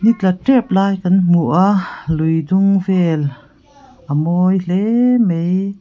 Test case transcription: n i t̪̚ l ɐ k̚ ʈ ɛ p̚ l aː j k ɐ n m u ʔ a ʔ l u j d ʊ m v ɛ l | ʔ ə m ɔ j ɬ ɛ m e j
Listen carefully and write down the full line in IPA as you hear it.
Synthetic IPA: n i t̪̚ l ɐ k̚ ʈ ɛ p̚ l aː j k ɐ n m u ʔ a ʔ l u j d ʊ ŋ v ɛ l | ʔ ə m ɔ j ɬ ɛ m e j